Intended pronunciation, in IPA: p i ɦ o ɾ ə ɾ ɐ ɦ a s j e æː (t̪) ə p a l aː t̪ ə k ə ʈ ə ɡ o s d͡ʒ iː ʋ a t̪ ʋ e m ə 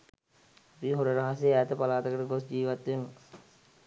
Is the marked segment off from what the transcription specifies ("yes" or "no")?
no